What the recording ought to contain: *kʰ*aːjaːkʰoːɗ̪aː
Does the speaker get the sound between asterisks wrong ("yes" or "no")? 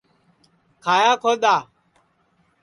no